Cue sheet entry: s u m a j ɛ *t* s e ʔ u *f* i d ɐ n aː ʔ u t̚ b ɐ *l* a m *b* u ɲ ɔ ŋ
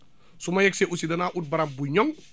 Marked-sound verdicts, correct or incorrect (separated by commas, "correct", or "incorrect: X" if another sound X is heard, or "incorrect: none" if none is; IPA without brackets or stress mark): incorrect: k, incorrect: s, incorrect: ɾ, correct